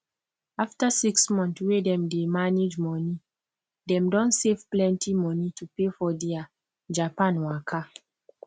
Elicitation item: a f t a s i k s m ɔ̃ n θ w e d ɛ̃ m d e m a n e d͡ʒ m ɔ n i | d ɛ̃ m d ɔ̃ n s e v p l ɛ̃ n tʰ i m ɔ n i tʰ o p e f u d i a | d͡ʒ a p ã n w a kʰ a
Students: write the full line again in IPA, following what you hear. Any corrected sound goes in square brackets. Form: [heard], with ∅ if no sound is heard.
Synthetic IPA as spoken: a f t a s i k s m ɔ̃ n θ w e d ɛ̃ m d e m a n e d͡ʒ m ɔ n i | d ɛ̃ m d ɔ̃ n s e v p l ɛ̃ n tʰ i m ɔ n i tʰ [u] p e f [ɔ] d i a | d͡ʒ a p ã n w a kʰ a